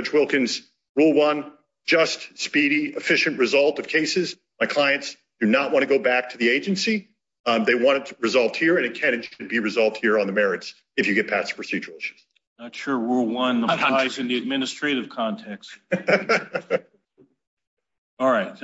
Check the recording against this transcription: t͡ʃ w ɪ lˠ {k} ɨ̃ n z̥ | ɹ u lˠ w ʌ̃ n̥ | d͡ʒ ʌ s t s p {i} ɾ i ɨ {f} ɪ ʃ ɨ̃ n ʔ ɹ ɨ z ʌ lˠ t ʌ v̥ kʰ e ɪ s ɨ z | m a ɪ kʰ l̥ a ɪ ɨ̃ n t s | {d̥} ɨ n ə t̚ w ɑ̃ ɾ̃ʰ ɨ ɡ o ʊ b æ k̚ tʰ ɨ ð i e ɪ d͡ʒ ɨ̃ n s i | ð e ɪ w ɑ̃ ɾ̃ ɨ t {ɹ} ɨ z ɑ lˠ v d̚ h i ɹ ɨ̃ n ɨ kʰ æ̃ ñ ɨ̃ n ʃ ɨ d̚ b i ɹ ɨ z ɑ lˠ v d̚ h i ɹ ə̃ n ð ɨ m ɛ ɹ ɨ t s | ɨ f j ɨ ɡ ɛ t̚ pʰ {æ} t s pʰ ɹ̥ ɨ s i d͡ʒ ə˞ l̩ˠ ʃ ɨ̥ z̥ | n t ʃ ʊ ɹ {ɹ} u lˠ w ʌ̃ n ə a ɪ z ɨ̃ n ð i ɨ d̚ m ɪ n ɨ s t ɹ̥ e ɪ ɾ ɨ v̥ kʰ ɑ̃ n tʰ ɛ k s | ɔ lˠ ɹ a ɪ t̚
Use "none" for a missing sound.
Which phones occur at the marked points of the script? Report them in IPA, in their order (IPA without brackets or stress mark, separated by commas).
k, i, f, d̥, ɹ, æ, ɹ